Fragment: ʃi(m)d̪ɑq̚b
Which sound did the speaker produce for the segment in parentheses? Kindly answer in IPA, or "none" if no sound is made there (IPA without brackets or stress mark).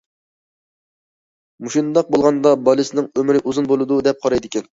n